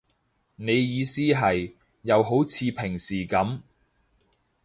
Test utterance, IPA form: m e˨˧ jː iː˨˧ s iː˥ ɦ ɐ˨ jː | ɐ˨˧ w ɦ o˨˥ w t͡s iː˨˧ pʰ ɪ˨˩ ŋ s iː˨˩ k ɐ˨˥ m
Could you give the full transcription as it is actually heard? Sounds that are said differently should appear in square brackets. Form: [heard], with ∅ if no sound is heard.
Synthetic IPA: [n] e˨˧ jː iː˨˧ s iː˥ ɦ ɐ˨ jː | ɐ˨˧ w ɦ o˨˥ w [t͡sʰ] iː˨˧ pʰ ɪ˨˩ ŋ s iː˨˩ k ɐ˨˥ m